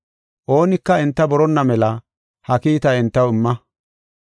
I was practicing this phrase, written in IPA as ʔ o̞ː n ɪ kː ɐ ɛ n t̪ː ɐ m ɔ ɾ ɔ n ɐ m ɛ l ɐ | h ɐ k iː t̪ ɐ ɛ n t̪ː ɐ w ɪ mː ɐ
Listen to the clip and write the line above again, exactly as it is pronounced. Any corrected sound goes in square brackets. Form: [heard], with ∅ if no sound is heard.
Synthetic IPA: ʔ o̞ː n ɪ kː ɐ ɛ n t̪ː ɐ [b] ɔ ɾ ɔ [nː] ɐ m ɛ l ɐ | h ɐ k iː t̪ ɐ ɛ n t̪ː ɐ w ɪ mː ɐ